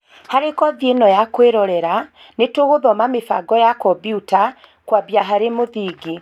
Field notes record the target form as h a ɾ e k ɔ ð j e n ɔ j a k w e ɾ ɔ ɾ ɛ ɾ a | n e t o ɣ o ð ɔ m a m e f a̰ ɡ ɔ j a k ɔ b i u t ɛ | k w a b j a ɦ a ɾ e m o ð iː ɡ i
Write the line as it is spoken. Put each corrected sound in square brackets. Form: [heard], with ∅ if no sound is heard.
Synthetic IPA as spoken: h a ɾ e k ɔ ð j e n ɔ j a k w e ɾ ɔ ɾ ɛ ɾ a | n e t o ɣ o ð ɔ m a m e f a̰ ɡ ɔ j a k ɔ b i u t [a] | k w a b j a ɦ a ɾ e m o ð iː ɡ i